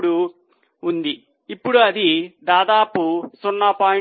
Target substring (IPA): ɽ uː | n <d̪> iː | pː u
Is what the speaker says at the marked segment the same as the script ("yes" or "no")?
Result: yes